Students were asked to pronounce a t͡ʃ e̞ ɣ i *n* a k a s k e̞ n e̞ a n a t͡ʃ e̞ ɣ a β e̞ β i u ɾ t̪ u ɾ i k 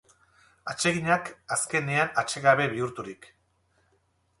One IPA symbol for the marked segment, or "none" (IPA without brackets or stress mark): ɲ